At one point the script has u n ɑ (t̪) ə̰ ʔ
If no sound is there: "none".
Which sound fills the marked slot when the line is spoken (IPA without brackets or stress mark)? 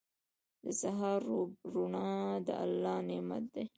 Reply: d̪